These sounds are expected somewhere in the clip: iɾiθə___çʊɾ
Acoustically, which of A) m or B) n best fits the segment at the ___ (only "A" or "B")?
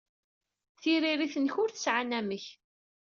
B